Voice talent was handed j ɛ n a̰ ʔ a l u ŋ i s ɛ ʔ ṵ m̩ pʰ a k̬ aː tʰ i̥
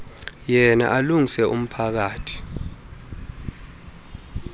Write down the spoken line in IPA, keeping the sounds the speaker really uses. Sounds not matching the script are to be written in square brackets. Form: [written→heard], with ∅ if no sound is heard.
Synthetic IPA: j ɛ n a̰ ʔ a l u ŋ i s ɛ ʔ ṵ m̩ pʰ a k̬ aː tʰ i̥